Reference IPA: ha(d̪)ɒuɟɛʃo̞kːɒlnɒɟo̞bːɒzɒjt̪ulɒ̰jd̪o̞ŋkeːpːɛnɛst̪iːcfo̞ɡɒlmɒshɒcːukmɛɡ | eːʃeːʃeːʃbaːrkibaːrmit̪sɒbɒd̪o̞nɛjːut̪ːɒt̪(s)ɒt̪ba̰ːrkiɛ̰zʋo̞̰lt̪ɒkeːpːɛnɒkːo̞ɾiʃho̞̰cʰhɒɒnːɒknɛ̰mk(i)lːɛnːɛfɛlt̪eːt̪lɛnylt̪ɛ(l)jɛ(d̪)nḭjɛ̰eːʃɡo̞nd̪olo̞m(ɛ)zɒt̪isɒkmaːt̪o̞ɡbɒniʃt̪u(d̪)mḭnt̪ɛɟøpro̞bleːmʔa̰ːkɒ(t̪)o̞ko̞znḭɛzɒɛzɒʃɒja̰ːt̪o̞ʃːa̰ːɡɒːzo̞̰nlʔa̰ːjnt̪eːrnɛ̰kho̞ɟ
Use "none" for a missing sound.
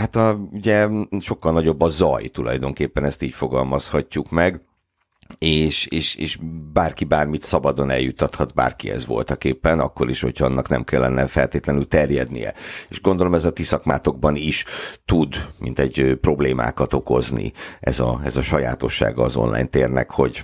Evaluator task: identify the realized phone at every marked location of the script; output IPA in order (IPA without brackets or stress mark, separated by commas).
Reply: t̪, h, ɛ, r, d̪, ɛ, d̪, t̪